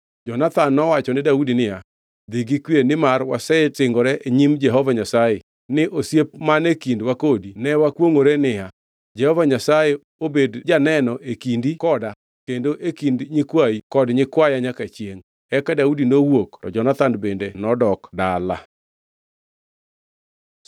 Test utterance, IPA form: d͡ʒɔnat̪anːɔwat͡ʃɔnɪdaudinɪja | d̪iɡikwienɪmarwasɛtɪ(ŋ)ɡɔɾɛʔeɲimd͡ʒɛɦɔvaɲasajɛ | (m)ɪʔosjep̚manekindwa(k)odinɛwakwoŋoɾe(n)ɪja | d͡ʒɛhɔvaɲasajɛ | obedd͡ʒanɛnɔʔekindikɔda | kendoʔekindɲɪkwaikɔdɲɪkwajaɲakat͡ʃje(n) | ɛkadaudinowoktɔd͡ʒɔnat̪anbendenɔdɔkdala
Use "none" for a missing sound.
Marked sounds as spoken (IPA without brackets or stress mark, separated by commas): ŋ, n, k, n, ŋ